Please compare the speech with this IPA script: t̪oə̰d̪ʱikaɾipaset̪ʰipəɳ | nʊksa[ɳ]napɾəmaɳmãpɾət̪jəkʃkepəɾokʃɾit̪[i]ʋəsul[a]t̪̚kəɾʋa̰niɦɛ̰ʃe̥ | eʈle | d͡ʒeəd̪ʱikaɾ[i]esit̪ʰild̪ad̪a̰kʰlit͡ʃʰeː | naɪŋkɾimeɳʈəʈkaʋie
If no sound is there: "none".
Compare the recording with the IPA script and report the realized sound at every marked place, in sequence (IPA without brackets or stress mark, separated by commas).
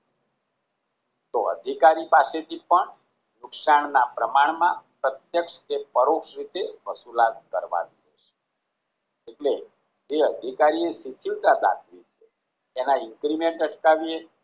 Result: ɳ, e, a, i